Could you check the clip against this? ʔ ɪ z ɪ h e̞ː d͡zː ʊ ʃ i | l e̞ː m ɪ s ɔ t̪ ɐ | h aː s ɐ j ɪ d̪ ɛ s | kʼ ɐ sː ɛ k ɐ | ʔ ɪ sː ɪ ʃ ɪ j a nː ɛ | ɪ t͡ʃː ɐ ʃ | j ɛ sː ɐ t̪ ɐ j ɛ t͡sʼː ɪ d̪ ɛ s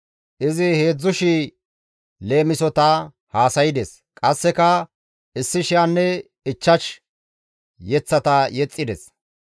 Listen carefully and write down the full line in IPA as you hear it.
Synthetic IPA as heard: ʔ ɪ z ɪ h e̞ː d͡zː ʊ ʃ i | l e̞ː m ɪ s ɔ t̪ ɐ | h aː s ɐ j ɪ d̪ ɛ s | kʼ ɐ sː ɛ k ɐ | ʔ ɪ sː ɪ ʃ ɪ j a nː ɛ | ɪ t͡ʃː ɐ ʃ | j ɛ t͡sː ɐ t̪ ɐ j ɛ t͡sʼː ɪ d̪ ɛ s